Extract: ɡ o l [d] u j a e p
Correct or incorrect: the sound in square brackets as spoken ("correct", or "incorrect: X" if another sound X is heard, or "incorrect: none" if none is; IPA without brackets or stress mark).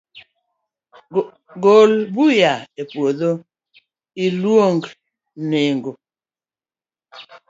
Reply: incorrect: b